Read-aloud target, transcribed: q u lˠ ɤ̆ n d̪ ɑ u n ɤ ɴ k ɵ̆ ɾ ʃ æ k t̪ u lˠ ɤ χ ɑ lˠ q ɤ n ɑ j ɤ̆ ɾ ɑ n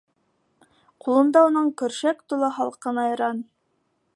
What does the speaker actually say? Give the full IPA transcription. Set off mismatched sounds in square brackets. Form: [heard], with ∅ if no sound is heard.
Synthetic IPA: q u lˠ ɤ̆ n d̪ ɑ u n ɤ ɴ k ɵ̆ ɾ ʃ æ k t̪ u lˠ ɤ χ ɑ lˠ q ɤ n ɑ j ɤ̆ ɾ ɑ n